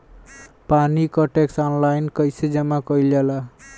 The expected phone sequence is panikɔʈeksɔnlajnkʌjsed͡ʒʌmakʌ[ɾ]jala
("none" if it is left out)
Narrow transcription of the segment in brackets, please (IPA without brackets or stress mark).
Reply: l